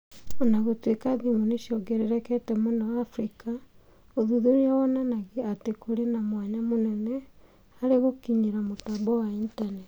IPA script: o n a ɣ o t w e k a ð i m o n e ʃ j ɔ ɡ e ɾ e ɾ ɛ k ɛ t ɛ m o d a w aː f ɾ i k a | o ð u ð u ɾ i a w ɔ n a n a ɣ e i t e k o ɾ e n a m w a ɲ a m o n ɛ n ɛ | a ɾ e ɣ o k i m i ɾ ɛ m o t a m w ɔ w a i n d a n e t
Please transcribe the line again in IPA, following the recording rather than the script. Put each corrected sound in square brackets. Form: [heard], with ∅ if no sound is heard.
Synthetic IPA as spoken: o n a ɣ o t w e k a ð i m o n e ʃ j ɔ ɡ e ɾ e ɾ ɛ k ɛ t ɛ m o [n] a w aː f ɾ i k a | o ð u ð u ɾ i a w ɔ n a n a ɣ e [a] t e k o ɾ e n a m w a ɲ a m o n ɛ n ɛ | a ɾ e ɣ o k i [ɲ] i ɾ [a] m o t a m [b] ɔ w a i n [t] a n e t